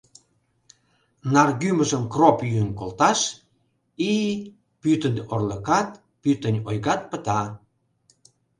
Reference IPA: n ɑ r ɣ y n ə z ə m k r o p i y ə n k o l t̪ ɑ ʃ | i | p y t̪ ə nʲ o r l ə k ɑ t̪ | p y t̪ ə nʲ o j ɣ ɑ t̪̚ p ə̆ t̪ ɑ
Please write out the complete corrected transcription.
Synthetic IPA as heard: n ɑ r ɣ y m ə ʒ ə m k r o p j y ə n k o l t̪ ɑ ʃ | i | p y t̪ ə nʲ o r l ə k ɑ t̪ | p y t̪ ə nʲ o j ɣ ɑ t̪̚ p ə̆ t̪ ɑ